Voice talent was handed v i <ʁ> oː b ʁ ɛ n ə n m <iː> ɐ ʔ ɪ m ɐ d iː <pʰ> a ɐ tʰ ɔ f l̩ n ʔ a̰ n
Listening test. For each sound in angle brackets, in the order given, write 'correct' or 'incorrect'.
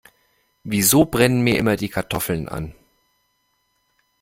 incorrect: z, correct, incorrect: kʰ

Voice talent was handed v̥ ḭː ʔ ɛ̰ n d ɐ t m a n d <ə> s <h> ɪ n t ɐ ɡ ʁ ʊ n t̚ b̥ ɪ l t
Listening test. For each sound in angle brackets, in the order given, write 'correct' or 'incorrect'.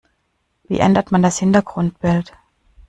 incorrect: a, correct

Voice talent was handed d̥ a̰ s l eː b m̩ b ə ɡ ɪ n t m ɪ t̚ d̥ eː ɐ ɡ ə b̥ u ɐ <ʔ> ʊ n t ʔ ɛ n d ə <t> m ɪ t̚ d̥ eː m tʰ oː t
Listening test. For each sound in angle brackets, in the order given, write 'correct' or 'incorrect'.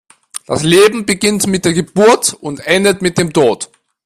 incorrect: t, correct

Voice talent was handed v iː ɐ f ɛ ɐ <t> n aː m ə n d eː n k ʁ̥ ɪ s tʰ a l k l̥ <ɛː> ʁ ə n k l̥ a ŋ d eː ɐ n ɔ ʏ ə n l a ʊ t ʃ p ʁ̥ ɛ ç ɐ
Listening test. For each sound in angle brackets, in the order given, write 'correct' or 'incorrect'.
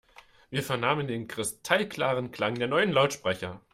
incorrect: none, incorrect: aː

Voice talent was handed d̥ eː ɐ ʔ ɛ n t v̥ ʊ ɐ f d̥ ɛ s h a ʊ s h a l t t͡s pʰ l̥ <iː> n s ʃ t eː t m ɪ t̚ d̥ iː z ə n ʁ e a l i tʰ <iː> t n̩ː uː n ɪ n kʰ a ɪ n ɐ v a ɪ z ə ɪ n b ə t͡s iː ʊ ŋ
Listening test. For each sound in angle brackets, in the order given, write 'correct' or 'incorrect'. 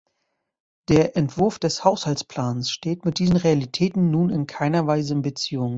incorrect: aː, incorrect: ɛː

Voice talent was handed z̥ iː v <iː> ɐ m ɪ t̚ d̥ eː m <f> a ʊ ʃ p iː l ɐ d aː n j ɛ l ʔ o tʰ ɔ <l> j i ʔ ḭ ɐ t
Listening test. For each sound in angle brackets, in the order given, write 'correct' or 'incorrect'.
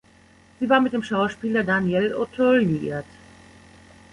incorrect: aː, incorrect: ʃ, correct

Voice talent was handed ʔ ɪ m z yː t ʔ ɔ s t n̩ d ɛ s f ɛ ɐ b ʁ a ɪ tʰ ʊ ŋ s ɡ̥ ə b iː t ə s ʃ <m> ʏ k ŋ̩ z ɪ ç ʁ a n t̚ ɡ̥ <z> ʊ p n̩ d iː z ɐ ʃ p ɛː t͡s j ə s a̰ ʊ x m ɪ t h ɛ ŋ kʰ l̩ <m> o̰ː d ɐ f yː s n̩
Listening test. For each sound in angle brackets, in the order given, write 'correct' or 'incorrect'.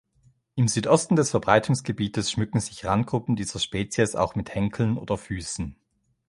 correct, incorrect: ʁ, incorrect: n

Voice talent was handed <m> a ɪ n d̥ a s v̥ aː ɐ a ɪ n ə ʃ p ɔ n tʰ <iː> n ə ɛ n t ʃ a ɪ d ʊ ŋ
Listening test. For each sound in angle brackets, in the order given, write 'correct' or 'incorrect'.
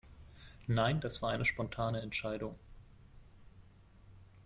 incorrect: n, incorrect: aː

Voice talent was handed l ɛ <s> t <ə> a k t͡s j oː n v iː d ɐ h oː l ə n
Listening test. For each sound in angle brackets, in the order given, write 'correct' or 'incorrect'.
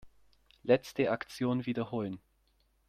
incorrect: t͡s, correct

